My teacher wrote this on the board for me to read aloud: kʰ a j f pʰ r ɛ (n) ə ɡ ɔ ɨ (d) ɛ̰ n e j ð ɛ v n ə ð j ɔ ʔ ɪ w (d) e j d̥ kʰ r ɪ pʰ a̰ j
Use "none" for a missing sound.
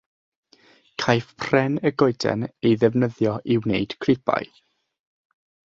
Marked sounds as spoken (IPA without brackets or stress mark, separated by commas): n, d, n